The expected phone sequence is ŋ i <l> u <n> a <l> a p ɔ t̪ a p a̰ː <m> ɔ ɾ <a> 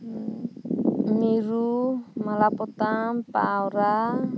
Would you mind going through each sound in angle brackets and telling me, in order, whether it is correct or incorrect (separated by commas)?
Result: incorrect, incorrect, correct, incorrect, correct